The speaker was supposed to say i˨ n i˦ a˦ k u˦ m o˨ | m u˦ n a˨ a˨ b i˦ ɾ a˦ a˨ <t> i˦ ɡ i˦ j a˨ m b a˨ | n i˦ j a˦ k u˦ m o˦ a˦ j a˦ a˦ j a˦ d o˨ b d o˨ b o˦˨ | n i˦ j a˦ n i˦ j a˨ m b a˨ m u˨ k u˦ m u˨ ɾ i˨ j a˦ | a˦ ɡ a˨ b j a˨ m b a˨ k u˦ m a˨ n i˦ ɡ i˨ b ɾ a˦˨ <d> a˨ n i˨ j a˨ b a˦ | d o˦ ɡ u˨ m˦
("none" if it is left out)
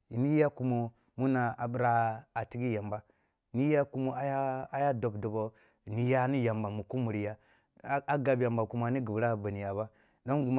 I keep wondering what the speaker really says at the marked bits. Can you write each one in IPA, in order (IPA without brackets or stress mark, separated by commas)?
t, b